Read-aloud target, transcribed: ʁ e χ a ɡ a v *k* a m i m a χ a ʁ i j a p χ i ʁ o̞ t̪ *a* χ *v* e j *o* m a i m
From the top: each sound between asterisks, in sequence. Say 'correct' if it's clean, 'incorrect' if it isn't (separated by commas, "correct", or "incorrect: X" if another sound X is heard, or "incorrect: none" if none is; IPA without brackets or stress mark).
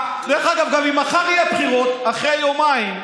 incorrect: ɡ, correct, incorrect: ʁ, correct